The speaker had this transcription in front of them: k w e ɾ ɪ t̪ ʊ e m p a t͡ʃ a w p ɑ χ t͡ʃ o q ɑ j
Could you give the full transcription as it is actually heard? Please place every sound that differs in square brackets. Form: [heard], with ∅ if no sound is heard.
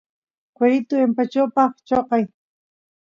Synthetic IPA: k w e ɾ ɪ t̪ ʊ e m p a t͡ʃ a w p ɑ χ t͡ʃ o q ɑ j